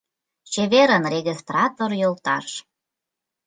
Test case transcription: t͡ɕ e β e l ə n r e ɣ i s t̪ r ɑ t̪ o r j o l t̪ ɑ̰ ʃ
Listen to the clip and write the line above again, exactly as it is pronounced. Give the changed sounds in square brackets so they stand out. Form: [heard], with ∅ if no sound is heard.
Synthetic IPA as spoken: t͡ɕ e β e [ɾ] ə n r e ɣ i s t̪ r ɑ t̪ o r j o l t̪ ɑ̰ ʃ